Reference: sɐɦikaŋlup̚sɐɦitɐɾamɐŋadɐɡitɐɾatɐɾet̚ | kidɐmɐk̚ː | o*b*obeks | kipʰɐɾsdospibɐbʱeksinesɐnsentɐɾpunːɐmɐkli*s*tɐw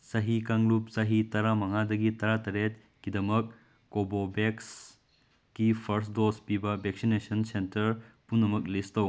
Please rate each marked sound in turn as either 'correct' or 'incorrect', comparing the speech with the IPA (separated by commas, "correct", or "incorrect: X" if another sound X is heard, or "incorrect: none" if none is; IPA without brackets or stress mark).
correct, correct